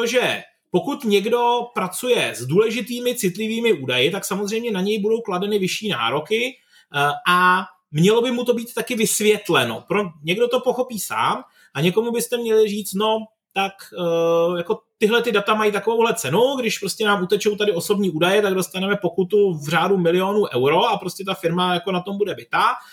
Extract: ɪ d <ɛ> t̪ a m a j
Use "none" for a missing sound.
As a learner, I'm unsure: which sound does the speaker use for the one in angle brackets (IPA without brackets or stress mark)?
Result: a